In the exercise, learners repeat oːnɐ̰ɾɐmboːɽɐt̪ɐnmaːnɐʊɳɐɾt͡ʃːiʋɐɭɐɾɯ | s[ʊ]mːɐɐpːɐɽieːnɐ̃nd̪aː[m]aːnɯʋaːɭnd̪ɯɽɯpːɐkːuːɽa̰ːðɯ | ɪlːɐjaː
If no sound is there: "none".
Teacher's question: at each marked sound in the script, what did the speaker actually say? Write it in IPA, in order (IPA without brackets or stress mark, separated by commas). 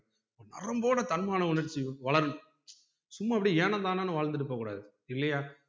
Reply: ʊ, n